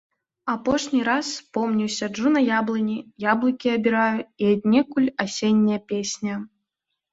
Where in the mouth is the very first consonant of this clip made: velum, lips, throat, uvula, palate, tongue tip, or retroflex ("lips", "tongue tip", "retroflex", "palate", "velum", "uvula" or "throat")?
lips